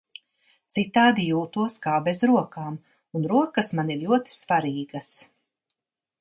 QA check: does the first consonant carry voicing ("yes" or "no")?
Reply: no